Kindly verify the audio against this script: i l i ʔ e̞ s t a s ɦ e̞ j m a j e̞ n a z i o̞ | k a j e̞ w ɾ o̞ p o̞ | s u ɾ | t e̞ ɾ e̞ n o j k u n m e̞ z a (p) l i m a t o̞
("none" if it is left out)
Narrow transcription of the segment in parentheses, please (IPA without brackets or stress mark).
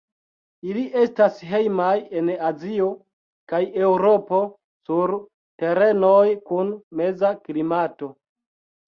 k